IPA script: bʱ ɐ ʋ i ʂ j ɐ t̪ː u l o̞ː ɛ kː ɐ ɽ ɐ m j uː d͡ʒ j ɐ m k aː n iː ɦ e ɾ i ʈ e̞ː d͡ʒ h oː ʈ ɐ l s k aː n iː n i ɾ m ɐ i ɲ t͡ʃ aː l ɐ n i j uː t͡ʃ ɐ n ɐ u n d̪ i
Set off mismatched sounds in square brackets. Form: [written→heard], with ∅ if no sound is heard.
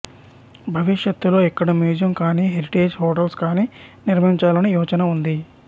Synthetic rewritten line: bʱ ɐ ʋ i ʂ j ɐ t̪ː u l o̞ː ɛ kː ɐ ɽ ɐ m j uː d͡ʒ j ɐ m k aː n iː ɦ e ɾ i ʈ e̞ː d͡ʒ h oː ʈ ɐ l s k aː n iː n i ɾ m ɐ i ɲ t͡ʃ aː l ɐ n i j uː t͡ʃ ɐ n ɐ u n d̪ i